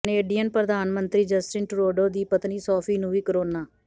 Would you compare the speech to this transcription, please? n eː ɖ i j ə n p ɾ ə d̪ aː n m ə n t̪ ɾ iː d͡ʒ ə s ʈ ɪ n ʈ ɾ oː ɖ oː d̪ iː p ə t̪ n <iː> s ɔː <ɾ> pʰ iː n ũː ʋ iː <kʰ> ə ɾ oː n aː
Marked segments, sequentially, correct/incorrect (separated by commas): correct, incorrect, incorrect